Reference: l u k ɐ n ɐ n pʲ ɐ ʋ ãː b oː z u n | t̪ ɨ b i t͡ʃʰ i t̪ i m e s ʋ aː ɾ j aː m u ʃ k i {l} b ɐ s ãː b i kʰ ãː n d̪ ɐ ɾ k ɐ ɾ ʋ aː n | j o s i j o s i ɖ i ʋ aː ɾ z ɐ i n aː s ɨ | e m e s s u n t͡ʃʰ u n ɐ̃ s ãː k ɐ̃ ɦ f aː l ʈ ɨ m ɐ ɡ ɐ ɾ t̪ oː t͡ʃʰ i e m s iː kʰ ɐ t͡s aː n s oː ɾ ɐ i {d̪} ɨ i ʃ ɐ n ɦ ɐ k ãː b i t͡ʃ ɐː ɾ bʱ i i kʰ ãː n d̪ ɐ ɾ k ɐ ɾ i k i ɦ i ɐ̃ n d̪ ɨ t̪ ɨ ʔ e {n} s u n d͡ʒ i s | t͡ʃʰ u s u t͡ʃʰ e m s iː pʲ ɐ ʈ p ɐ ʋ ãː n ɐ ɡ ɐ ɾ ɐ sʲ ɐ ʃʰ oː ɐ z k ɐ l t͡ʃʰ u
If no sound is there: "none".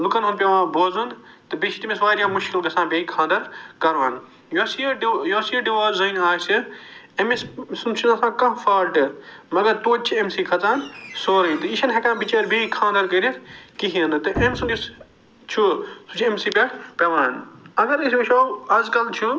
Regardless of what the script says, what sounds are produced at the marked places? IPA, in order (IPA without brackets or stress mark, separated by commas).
l, t̪, m